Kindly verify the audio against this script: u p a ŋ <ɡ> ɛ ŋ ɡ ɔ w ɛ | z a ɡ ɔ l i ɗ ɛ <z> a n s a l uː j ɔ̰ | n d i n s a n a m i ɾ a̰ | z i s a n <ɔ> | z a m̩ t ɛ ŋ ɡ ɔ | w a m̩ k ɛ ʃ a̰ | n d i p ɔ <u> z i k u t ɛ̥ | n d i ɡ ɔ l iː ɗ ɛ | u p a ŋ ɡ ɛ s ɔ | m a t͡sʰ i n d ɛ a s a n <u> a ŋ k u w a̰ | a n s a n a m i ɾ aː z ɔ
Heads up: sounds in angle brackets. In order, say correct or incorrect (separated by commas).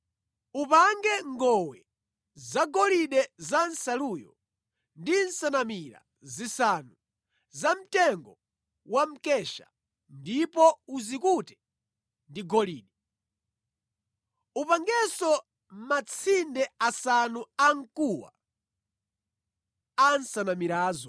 correct, correct, incorrect, correct, correct